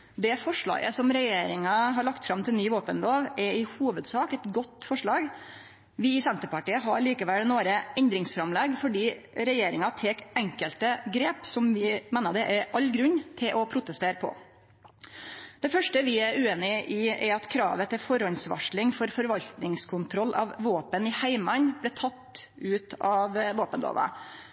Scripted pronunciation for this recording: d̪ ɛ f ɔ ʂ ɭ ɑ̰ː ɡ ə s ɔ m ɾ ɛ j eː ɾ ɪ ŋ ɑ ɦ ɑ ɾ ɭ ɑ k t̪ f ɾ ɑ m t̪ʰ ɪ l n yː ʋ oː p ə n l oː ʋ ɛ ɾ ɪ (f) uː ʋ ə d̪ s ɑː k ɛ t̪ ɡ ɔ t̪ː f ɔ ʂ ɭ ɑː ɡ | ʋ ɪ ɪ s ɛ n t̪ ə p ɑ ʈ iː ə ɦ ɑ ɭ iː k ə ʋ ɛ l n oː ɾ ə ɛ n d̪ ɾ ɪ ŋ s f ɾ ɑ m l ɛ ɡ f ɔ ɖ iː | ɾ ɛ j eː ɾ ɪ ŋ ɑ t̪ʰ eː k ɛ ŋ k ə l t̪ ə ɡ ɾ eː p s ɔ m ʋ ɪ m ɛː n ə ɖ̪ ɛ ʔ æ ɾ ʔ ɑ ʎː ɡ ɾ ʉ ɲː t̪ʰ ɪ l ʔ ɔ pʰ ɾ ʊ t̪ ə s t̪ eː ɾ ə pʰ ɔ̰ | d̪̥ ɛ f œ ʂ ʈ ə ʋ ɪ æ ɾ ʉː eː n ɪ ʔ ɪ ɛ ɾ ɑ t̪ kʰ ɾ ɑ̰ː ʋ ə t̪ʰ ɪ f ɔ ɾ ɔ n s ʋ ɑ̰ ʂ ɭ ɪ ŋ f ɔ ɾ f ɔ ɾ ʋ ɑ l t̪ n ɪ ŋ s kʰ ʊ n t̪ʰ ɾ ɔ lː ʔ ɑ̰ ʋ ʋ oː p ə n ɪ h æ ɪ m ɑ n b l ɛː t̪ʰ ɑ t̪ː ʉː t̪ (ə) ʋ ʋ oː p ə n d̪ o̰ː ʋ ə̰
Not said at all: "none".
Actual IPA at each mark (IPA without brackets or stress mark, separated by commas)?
h, ɑ